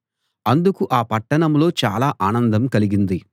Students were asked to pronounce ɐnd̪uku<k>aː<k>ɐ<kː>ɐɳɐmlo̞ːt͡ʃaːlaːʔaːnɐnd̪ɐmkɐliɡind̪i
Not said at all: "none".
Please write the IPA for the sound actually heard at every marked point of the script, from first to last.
ʔ, p, ʈː

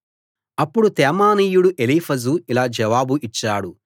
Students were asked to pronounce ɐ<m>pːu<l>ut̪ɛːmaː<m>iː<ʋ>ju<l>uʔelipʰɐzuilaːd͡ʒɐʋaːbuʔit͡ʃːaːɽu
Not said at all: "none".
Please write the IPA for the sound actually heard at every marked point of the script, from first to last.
none, ɽ, n, none, ɽ

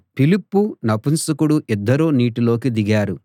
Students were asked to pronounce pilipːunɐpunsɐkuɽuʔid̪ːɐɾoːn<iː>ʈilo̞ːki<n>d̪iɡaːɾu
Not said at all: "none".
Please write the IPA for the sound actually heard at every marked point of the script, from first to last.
iː, none

